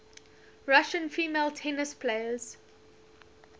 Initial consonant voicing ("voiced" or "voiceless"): voiced